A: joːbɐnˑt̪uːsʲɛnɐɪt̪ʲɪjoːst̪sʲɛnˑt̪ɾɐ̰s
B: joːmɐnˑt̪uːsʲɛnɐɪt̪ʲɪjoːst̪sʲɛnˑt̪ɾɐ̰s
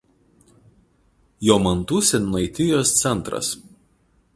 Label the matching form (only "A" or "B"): B